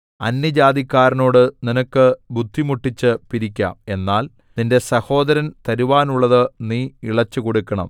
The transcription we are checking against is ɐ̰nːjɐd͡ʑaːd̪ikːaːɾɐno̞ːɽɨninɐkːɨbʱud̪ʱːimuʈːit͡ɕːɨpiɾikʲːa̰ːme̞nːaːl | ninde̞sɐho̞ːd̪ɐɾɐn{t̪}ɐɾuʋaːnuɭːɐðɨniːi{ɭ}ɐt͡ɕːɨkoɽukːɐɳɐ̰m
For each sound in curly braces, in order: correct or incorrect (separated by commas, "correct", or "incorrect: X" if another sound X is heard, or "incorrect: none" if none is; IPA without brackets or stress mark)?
correct, correct